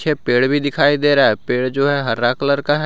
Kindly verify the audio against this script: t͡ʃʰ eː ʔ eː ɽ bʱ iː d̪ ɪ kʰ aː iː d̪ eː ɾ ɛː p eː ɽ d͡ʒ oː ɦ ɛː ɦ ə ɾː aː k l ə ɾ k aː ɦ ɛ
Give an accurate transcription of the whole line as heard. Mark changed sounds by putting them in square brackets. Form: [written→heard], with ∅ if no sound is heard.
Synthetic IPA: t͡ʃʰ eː [ʔ→p] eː ɽ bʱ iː d̪ ɪ kʰ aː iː d̪ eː ɾ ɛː p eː ɽ d͡ʒ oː ɦ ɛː ɦ ə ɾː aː k l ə ɾ k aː ɦ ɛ